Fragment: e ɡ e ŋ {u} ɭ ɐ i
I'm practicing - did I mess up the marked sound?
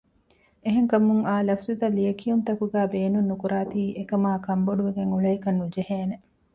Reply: no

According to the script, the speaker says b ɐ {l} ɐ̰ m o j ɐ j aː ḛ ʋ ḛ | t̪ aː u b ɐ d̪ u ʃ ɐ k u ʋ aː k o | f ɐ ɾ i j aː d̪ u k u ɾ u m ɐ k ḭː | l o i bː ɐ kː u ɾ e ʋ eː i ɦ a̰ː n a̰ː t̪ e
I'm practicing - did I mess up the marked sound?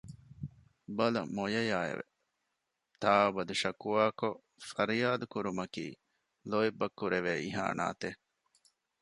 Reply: no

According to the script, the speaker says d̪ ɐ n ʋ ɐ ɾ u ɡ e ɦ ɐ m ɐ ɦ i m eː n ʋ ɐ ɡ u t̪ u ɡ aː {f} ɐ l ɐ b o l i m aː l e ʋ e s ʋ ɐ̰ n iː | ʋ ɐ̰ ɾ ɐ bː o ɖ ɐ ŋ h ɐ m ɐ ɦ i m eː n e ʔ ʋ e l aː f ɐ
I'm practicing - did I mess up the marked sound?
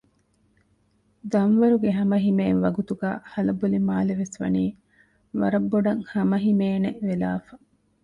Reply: yes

